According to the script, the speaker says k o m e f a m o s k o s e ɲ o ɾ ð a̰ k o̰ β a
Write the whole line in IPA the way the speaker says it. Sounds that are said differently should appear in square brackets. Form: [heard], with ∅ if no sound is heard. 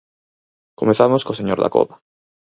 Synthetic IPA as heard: k o m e [θ] a m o s k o s e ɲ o ɾ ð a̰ k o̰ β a